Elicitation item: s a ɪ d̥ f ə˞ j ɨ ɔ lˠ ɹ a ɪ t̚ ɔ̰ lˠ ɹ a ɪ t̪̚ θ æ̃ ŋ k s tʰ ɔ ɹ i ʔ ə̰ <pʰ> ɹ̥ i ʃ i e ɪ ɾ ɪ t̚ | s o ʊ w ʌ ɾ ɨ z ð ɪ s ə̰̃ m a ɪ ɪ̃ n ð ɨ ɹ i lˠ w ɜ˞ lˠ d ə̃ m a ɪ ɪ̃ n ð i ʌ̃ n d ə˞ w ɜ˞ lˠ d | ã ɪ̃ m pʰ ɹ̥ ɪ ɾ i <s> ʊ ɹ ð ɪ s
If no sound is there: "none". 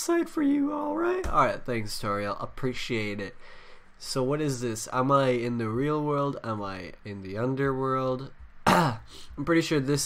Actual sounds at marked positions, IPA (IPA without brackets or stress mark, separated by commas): pʰ, ʃ